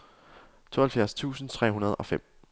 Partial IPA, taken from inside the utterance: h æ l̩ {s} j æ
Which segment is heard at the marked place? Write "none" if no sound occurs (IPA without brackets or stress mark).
f